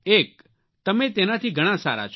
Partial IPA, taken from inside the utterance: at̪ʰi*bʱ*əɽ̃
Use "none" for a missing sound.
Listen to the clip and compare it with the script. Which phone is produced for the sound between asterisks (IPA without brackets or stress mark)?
ɡʱ